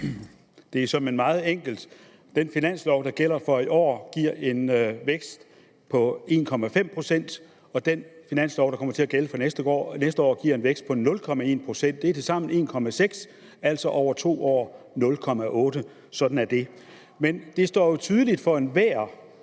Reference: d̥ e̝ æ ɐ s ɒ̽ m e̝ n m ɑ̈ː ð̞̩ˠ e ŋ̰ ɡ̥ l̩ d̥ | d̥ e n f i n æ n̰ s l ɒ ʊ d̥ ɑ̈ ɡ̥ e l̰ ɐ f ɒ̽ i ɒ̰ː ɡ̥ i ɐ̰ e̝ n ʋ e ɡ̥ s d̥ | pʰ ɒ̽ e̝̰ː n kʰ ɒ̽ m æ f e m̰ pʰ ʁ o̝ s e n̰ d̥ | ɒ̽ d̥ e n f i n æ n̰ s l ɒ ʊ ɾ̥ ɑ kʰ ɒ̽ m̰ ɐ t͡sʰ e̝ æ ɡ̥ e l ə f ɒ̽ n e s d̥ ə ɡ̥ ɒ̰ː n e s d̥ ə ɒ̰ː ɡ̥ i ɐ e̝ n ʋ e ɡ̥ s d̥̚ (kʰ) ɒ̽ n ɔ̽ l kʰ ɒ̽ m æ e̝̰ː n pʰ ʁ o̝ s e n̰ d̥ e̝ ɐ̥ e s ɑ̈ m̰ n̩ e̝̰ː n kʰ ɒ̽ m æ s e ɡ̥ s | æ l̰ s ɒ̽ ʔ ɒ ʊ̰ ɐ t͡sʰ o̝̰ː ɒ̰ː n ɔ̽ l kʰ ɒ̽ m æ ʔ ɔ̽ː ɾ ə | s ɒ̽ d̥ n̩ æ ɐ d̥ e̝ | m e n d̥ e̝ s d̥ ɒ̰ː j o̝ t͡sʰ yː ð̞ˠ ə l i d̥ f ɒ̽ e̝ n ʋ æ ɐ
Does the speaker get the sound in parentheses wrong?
yes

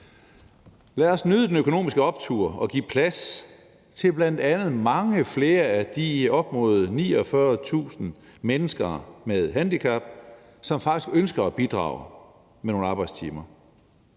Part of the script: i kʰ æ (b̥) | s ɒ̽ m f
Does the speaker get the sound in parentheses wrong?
no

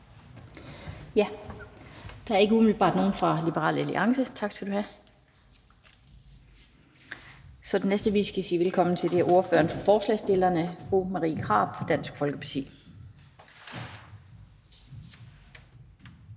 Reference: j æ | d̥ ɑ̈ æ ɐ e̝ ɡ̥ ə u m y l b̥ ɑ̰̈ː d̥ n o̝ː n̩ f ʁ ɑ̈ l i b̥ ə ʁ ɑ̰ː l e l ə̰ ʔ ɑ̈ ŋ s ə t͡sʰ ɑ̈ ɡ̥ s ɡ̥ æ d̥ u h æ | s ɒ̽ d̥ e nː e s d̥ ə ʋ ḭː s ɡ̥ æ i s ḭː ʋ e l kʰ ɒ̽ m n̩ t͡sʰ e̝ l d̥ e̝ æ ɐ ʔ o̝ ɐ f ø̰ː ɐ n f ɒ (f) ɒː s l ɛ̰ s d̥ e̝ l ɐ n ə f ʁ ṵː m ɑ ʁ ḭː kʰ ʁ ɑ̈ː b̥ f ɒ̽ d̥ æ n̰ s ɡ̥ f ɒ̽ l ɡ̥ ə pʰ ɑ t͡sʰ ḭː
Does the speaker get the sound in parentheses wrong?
no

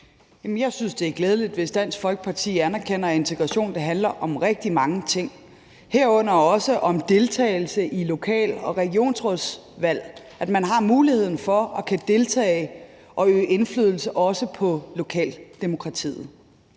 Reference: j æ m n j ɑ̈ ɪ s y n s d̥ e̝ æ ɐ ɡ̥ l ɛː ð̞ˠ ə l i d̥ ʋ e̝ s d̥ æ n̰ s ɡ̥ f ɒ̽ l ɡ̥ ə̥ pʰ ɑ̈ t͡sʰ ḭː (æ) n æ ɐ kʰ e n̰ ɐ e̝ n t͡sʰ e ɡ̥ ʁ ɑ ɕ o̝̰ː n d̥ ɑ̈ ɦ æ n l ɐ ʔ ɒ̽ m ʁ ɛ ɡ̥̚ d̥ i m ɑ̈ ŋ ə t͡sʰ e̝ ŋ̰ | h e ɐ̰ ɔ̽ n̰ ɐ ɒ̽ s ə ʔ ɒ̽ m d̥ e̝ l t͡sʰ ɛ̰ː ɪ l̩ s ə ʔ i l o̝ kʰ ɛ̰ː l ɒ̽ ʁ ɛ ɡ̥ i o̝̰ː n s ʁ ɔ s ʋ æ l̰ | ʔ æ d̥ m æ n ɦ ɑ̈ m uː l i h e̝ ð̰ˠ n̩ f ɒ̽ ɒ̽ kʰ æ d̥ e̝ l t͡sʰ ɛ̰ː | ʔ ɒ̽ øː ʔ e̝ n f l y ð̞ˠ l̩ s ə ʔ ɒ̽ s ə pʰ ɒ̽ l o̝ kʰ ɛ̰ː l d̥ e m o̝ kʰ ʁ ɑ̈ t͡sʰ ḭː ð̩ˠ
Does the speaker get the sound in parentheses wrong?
no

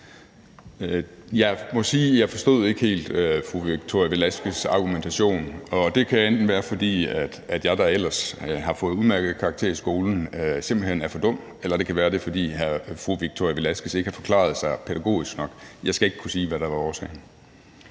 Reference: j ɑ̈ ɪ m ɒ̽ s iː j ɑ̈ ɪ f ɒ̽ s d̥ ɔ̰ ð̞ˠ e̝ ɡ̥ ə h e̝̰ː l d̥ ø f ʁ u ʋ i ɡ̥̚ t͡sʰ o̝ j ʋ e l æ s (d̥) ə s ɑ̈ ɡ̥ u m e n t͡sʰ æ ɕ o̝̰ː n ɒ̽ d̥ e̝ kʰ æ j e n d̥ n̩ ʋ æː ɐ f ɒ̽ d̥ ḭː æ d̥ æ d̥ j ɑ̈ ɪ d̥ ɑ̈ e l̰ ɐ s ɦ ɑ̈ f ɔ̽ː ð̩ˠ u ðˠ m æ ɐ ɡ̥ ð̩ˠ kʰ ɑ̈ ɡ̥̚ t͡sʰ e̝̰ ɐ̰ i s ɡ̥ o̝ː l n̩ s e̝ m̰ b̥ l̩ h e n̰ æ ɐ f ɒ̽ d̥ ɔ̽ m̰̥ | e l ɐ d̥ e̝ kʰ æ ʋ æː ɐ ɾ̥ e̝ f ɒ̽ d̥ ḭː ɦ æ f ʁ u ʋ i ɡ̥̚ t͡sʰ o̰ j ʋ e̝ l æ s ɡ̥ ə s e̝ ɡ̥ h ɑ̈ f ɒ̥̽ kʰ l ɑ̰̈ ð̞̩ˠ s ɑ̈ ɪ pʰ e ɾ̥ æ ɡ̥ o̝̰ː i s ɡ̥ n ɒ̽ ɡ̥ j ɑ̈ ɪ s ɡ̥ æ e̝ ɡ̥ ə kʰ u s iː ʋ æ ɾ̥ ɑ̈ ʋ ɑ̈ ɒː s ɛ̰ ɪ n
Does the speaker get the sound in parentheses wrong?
yes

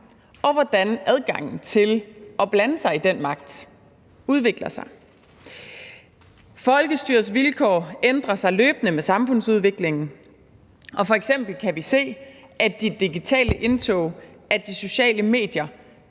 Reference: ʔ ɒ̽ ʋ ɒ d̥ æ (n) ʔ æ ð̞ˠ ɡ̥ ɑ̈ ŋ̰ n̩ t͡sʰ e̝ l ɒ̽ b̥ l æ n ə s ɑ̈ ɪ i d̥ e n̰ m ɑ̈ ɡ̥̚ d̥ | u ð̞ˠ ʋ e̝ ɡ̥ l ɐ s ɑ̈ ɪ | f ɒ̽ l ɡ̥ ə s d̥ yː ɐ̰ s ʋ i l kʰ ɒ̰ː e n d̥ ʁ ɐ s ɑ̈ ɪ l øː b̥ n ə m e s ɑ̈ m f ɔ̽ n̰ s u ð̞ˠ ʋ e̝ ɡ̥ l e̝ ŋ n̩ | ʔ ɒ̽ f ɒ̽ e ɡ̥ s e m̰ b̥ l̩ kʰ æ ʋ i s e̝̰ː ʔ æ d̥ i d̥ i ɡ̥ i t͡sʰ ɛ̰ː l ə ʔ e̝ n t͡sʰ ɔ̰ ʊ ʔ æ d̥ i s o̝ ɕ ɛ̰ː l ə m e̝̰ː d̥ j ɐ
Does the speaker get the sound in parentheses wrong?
no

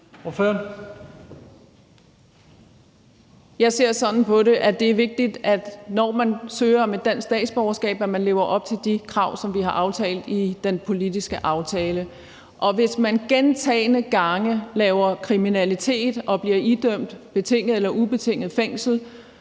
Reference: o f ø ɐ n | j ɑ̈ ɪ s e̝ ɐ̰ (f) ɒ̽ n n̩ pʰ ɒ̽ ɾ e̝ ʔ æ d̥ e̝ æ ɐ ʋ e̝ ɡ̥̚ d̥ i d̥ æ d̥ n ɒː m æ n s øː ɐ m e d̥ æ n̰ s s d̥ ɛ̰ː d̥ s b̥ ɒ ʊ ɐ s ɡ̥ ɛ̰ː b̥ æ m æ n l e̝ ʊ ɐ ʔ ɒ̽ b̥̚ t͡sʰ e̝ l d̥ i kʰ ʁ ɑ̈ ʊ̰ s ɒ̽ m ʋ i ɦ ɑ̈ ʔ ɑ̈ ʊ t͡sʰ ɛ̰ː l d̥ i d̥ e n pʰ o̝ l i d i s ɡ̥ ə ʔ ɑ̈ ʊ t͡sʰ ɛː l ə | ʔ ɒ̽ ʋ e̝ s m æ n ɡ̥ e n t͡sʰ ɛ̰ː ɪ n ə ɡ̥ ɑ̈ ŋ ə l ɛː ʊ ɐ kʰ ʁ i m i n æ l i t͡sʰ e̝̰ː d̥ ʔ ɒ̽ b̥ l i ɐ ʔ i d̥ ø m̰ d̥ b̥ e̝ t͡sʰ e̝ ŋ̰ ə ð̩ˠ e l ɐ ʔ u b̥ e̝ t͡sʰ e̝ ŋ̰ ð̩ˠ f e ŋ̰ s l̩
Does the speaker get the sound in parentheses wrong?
yes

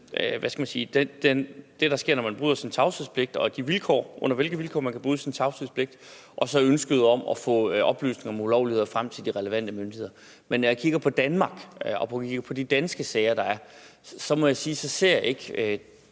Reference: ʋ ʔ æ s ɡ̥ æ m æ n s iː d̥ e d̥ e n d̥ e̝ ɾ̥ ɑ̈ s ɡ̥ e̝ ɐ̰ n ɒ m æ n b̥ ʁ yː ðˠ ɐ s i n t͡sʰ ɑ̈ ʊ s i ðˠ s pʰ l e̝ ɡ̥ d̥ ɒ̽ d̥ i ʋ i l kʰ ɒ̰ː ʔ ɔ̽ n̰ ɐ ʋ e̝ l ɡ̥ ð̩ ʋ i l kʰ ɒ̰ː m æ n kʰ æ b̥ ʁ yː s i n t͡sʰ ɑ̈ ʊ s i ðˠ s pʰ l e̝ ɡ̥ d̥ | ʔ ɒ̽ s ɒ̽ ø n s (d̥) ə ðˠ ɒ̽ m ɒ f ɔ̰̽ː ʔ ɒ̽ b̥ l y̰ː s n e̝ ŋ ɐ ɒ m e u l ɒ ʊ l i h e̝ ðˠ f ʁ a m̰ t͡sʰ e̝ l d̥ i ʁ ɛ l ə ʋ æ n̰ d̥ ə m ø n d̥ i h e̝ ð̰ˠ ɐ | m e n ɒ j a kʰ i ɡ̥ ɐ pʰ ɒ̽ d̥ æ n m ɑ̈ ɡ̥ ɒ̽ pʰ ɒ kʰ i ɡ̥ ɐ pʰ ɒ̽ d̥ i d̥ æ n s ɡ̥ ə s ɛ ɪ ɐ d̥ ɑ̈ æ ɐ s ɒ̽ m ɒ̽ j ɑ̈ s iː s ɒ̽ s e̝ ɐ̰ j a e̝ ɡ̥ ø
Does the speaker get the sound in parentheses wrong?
yes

